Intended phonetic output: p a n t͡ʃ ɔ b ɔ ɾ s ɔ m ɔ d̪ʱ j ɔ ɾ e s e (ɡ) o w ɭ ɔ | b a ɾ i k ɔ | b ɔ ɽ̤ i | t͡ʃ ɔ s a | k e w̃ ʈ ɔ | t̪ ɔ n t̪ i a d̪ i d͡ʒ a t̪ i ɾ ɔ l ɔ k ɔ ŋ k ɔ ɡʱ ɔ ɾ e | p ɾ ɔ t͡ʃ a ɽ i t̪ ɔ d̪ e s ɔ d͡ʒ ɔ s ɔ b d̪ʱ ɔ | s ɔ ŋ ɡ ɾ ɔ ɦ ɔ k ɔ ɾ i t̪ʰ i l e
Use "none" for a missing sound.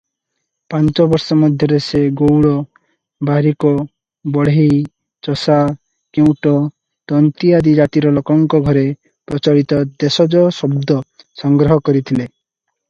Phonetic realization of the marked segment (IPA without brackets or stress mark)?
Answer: ɡ